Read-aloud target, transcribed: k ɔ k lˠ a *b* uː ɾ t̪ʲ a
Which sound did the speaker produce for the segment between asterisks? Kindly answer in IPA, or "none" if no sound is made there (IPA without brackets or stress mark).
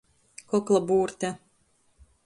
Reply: b